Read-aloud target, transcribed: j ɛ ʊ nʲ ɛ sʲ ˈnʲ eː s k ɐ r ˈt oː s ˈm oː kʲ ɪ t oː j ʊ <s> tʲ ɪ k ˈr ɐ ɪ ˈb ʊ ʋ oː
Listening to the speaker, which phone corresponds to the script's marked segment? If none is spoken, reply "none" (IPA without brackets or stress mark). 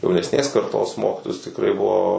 s